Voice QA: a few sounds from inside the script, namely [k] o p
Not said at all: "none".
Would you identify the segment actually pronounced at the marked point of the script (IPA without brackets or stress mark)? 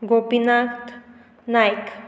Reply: ɡ